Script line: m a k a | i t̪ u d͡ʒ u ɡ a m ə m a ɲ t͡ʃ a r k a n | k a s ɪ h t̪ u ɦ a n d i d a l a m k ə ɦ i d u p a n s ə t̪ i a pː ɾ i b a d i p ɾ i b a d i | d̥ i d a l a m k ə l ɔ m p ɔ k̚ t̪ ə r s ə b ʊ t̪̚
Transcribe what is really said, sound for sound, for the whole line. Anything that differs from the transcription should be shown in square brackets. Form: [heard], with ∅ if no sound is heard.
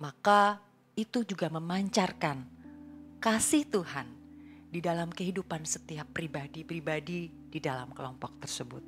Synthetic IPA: m a k a | i t̪ u d͡ʒ u ɡ a m ə m a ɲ t͡ʃ a r k a n | k a s ɪ h t̪ u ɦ a n d i d a l a m k ə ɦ i d u p a n s ə t̪ i a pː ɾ i b a d i p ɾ i b a d i | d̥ i d a l a m k ə l ɔ m p ɔ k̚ t̪ ə r s ə b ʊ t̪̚